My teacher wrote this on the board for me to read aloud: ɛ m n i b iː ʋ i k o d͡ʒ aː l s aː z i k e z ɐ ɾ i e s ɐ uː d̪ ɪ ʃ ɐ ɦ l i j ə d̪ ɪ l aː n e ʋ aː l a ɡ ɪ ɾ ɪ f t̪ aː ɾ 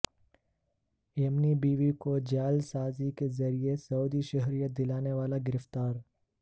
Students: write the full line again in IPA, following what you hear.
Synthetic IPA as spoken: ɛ m n i b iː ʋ i k o d͡ʒ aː l s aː z i k e z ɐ ɾ i e s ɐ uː d̪ i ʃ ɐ ɦ ɾ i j ə d̪ ɪ l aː n e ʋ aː l a ɡ ɪ ɾ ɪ f t̪ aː ɾ